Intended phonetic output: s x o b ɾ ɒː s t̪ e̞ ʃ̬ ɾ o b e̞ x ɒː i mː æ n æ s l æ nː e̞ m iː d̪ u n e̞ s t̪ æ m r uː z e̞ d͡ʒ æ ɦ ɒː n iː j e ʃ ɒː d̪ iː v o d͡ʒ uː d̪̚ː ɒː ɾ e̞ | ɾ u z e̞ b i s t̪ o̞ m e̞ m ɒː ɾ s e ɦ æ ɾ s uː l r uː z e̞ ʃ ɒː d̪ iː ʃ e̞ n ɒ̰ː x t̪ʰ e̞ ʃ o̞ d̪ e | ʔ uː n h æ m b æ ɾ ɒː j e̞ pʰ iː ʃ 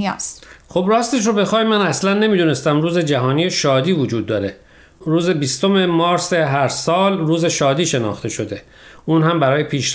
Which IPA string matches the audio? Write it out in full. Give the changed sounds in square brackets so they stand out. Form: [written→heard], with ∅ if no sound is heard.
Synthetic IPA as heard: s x o b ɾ ɒː s t̪ e̞ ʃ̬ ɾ o b e̞ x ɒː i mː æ n æ s l æ nː e̞ m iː d̪ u n e̞ s t̪ æ m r uː z e̞ d͡ʒ æ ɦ ɒː n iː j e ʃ ɒː d̪ iː v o d͡ʒ uː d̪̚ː ɒː ɾ e̞ | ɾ [u→uː] z e̞ b i s t̪ o̞ m e̞ m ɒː ɾ s e ɦ æ ɾ s [uː→ɒː] l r uː z e̞ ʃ ɒː d̪ iː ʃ e̞ n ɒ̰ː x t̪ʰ e̞ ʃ o̞ d̪ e | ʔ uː n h æ m b æ ɾ ɒː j e̞ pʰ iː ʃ